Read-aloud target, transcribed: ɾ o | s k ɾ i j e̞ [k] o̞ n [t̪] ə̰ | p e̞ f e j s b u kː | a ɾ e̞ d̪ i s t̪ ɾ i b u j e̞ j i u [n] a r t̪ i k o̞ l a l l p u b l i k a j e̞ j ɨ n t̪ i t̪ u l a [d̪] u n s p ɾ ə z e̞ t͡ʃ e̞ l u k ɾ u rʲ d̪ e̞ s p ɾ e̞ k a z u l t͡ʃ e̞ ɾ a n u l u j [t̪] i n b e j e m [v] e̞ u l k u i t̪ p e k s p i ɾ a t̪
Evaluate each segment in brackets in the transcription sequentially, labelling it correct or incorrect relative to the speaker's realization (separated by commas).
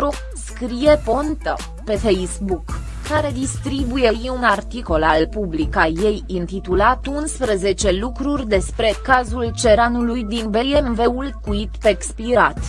incorrect, correct, correct, incorrect, incorrect, correct